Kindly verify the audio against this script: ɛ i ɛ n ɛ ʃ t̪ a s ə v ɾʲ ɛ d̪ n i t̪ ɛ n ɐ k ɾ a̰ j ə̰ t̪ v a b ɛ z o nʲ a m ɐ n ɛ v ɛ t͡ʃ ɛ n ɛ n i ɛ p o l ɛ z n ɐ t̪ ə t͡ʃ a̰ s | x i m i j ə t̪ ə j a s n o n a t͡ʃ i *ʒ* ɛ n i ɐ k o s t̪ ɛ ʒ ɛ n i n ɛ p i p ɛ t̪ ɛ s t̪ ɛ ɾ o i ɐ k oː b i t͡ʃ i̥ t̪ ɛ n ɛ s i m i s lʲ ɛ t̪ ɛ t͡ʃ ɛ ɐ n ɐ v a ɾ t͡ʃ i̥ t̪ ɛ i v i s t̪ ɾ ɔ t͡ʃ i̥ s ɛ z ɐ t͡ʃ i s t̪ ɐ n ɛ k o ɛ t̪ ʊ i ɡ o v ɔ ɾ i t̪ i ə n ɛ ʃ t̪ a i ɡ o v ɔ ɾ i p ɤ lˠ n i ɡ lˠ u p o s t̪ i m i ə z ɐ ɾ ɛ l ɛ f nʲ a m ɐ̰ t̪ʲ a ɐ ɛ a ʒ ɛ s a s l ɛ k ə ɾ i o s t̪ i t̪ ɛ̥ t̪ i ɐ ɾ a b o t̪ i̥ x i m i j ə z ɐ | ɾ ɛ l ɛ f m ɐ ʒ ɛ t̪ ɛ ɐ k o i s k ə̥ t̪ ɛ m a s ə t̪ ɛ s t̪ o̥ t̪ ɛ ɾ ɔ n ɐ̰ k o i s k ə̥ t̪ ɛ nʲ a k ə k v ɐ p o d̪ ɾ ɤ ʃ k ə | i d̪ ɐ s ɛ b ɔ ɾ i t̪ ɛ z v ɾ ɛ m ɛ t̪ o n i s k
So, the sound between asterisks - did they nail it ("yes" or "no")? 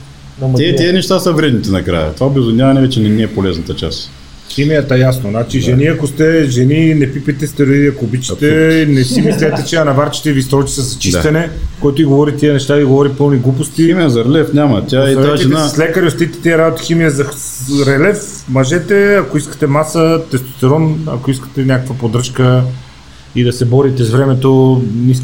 yes